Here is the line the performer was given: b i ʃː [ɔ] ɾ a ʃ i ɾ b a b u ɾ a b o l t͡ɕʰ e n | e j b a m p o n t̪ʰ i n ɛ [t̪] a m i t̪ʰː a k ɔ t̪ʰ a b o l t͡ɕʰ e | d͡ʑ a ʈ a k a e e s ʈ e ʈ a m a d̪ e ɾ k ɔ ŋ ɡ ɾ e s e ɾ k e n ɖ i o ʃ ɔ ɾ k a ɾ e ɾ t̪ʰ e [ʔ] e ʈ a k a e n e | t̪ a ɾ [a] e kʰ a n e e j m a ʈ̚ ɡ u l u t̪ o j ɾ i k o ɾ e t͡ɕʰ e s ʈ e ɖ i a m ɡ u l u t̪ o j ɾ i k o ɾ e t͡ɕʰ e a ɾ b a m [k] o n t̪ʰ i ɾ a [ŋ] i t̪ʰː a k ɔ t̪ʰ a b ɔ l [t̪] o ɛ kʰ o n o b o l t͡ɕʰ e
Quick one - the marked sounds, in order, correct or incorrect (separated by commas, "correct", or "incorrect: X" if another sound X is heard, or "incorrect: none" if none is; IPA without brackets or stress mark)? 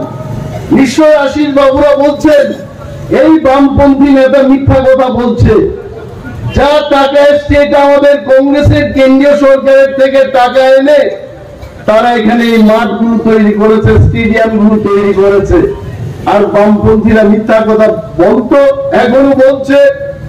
incorrect: o, correct, incorrect: k, correct, incorrect: p, incorrect: m, correct